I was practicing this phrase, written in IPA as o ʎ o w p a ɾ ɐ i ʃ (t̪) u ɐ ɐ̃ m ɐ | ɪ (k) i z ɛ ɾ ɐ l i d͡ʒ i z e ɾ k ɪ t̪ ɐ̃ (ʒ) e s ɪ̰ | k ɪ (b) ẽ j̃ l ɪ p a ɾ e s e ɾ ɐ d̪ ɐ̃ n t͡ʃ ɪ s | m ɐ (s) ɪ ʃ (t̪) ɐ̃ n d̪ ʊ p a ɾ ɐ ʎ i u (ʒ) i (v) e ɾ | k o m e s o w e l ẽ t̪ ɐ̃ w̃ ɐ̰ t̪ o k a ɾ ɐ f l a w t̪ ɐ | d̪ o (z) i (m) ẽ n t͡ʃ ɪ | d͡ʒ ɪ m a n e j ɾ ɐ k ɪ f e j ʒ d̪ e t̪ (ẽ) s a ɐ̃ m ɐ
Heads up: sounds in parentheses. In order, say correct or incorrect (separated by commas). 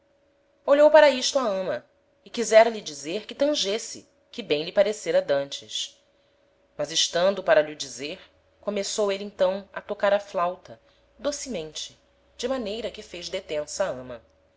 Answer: correct, correct, correct, correct, incorrect, correct, incorrect, incorrect, incorrect, correct, correct